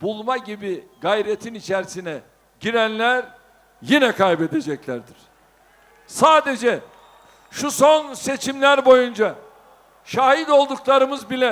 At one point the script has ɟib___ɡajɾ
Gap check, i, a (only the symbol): i